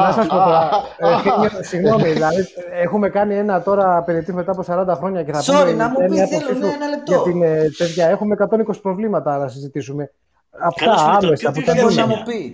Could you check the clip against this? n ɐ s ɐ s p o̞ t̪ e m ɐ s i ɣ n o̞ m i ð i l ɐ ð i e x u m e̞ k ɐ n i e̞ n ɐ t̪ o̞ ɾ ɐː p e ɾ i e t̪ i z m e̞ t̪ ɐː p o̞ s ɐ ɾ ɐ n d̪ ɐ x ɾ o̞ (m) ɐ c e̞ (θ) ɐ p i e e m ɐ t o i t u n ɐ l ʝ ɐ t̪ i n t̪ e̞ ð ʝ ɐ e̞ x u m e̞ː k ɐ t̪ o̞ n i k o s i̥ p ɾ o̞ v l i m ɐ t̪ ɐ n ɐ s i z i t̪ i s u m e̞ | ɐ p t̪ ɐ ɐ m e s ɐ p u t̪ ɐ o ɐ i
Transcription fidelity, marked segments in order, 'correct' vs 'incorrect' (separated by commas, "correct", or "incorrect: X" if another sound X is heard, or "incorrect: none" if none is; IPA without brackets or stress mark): incorrect: ɲ, correct